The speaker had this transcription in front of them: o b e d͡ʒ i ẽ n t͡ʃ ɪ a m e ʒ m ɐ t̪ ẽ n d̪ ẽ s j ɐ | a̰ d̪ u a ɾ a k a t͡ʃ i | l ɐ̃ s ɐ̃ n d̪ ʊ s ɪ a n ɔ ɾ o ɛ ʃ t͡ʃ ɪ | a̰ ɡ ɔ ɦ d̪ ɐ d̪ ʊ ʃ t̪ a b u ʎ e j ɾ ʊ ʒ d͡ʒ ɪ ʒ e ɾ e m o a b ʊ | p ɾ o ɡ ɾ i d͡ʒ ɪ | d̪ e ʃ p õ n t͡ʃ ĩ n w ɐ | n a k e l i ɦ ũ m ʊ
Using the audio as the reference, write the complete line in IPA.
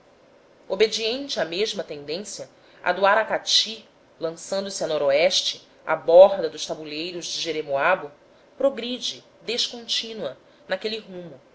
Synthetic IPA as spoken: o b e d͡ʒ i ẽ n t͡ʃ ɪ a m e ʒ m ɐ t̪ ẽ n d̪ ẽ s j ɐ | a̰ d̪ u a ɾ a k a t͡ʃ i | l ɐ̃ s ɐ̃ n d̪ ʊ s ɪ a n ɔ ɾ o ɛ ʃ t͡ʃ ɪ | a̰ b ɔ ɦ d̪ ɐ d̪ ʊ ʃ t̪ a b u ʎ e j ɾ ʊ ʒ d͡ʒ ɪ ʒ e ɾ e m o a b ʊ | p ɾ o ɡ ɾ i d͡ʒ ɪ | d̪ e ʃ k õ n t͡ʃ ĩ n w ɐ | n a k e l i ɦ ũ m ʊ